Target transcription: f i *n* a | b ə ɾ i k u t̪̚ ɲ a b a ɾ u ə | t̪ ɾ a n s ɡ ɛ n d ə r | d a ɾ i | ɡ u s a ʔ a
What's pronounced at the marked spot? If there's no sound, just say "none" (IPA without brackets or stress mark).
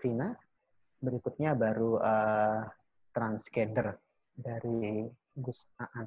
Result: n